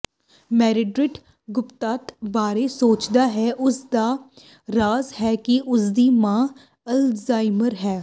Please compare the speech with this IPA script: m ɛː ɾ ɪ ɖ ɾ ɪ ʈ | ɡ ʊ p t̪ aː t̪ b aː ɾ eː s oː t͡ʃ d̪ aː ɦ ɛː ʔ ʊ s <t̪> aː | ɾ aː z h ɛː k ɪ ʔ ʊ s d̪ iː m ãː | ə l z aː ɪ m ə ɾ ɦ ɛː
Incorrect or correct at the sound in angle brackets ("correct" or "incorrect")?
incorrect